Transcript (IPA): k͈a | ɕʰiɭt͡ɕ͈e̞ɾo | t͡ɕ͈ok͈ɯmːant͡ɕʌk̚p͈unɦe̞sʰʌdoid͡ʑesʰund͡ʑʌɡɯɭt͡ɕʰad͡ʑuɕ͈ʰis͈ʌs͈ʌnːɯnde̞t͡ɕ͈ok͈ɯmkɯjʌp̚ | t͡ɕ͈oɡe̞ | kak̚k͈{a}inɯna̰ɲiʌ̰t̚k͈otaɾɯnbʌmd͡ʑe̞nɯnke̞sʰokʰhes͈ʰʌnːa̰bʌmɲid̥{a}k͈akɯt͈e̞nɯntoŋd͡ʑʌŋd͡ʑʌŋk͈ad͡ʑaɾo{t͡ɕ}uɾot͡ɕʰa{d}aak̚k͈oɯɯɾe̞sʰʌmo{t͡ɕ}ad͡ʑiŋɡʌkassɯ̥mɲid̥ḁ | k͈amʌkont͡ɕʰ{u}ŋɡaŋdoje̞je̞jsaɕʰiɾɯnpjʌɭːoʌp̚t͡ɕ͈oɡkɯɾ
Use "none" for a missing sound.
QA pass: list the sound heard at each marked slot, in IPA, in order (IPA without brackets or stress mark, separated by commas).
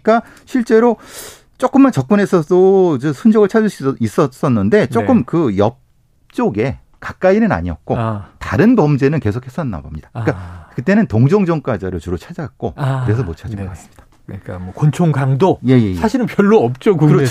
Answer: a, a, t͡ɕ, d͡ʑ, t͡ɕʰ, o